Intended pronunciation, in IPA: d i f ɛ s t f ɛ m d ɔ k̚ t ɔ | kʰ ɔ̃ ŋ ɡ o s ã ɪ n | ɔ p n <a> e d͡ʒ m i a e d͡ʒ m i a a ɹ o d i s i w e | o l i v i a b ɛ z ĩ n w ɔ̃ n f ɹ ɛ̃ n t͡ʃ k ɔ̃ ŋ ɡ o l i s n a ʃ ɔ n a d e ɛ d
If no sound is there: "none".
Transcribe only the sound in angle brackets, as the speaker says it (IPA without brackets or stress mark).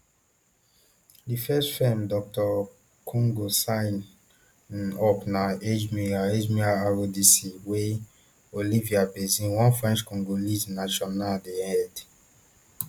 a